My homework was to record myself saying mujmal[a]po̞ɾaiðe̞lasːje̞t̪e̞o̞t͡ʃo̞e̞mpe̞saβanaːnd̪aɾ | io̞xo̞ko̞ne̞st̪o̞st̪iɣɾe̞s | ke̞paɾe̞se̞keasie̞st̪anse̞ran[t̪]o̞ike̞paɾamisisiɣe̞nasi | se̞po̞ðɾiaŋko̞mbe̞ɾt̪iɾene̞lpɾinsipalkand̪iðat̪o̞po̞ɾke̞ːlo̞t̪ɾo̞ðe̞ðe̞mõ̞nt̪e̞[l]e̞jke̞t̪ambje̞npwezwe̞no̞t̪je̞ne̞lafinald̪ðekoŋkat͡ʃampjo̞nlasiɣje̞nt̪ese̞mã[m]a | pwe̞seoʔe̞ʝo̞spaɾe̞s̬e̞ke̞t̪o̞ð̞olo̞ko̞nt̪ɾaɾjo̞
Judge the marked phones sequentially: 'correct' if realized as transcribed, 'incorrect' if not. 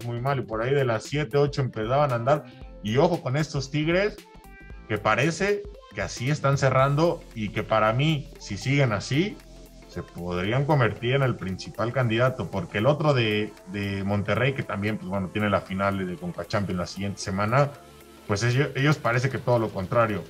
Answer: incorrect: i, incorrect: d̪, incorrect: r, incorrect: n

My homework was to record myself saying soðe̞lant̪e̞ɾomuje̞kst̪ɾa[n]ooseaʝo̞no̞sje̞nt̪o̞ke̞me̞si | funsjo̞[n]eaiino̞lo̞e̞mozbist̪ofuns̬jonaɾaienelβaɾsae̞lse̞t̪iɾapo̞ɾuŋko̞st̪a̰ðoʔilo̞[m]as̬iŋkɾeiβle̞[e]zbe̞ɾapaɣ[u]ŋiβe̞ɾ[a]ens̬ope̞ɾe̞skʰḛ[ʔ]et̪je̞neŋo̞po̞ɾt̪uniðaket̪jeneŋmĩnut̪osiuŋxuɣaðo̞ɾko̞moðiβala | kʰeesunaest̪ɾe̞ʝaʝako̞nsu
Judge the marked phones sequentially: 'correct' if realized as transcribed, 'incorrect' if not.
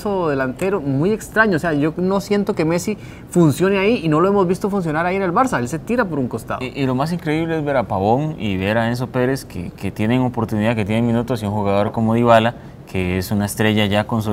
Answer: incorrect: ɲ, correct, correct, correct, incorrect: o, correct, incorrect: k

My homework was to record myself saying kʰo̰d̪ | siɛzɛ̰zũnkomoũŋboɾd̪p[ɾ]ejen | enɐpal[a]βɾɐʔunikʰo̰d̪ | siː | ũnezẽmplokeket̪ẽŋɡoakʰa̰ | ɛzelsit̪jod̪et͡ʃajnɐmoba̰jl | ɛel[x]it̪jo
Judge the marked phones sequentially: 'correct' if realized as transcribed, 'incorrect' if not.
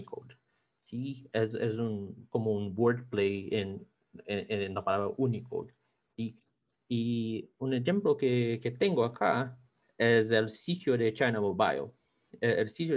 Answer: incorrect: l, correct, incorrect: s

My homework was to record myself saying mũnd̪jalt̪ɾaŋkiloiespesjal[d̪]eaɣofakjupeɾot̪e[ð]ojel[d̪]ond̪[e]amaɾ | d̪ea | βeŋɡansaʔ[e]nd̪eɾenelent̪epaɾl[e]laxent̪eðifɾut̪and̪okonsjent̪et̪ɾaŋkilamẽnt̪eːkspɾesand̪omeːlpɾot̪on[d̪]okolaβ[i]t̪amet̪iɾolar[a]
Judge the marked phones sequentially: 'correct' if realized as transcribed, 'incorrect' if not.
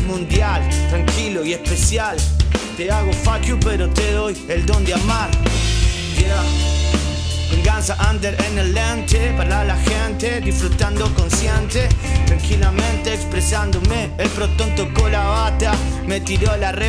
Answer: incorrect: t̪, correct, correct, correct, incorrect: a, incorrect: a, incorrect: t̪, incorrect: a, incorrect: e

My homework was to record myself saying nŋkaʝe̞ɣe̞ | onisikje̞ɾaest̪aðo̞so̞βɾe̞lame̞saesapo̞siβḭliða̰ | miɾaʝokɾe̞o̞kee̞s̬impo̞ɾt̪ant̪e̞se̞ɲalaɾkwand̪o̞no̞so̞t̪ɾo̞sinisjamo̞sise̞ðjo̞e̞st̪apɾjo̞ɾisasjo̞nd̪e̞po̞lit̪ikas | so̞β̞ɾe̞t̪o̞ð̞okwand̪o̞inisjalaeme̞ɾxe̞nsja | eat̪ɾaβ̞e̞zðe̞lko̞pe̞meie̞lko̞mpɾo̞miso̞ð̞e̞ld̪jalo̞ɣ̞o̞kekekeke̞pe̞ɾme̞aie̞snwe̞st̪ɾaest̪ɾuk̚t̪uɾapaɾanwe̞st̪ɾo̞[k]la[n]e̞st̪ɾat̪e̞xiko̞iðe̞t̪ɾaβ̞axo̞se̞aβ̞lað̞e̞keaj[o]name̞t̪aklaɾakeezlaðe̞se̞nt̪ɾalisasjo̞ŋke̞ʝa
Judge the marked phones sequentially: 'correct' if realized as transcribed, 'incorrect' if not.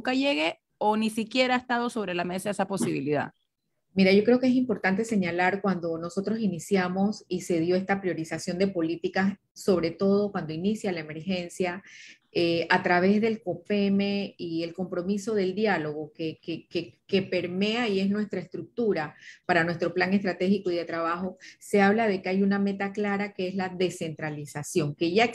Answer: incorrect: p, incorrect: ŋ, incorrect: u

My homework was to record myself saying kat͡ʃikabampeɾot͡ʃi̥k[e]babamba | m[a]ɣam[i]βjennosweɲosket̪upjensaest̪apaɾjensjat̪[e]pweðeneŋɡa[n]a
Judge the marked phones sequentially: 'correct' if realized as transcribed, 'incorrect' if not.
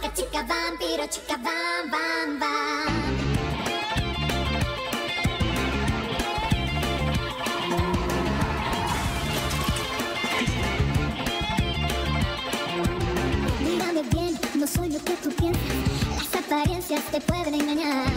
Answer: incorrect: a, incorrect: i, incorrect: e, correct, incorrect: ɲ

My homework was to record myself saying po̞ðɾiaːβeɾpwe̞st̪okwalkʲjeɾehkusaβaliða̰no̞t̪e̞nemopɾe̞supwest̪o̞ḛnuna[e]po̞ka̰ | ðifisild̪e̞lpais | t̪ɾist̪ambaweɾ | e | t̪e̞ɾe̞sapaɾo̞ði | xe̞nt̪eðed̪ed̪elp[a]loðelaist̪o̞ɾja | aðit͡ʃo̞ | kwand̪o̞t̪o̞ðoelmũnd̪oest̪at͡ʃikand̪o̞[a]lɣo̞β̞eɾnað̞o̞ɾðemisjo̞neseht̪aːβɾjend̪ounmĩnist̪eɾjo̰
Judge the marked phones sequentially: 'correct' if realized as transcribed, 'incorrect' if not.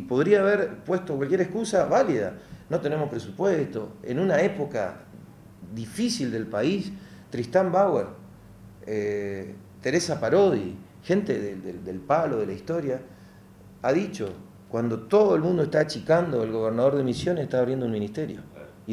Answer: correct, correct, incorrect: e

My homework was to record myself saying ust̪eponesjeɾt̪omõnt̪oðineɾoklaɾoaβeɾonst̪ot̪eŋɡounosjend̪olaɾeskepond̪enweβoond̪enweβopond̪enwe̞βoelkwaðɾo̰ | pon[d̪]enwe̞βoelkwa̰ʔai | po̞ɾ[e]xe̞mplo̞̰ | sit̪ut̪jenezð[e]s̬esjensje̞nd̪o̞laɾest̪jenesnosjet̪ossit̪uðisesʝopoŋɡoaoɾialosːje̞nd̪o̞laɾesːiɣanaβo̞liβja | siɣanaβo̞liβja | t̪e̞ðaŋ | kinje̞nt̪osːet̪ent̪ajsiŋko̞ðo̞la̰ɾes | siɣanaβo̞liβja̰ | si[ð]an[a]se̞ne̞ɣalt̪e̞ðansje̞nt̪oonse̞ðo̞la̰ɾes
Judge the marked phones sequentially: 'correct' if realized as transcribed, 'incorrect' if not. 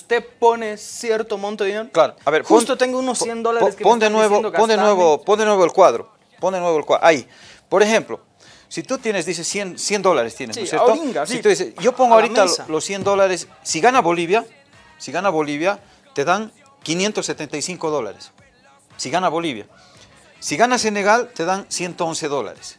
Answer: correct, correct, incorrect: i, incorrect: ɣ, correct

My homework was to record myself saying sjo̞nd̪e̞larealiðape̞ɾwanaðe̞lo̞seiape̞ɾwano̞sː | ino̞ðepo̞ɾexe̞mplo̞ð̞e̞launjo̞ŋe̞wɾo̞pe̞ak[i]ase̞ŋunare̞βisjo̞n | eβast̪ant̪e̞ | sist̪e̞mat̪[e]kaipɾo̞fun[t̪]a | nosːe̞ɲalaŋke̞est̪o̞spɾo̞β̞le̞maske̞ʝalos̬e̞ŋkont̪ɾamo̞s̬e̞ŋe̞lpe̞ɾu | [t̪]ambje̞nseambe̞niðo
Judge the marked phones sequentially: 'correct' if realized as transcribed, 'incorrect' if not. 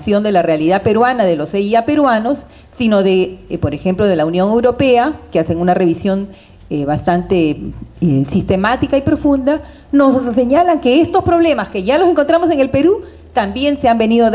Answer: incorrect: e, incorrect: i, incorrect: d̪, correct

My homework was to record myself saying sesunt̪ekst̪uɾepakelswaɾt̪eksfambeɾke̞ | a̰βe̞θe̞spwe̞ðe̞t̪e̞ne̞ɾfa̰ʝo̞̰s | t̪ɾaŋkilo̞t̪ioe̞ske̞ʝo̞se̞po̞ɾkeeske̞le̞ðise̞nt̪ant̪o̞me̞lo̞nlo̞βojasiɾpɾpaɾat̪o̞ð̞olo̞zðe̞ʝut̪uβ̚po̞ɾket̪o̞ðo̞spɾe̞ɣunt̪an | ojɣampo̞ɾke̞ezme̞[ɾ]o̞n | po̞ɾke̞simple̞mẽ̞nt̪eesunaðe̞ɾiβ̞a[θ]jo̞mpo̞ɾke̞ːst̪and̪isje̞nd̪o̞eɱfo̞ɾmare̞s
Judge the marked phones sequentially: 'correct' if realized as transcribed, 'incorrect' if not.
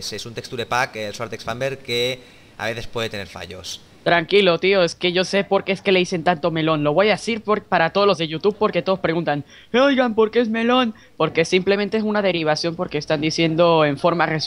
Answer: incorrect: l, incorrect: s

